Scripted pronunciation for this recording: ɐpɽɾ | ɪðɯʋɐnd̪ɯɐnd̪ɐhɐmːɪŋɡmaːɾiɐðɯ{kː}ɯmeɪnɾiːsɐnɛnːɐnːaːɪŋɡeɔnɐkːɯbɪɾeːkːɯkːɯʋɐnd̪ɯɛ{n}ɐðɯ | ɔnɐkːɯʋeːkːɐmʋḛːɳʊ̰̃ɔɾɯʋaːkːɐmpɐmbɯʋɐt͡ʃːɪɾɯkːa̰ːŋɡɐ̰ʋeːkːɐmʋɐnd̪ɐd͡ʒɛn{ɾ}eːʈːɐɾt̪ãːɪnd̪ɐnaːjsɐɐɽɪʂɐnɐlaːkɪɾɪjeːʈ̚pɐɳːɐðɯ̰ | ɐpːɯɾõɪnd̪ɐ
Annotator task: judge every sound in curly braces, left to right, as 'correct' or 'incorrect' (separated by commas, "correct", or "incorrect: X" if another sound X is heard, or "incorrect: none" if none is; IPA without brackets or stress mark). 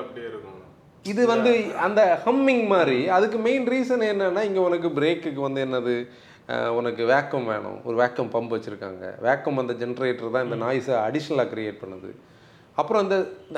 correct, incorrect: nː, correct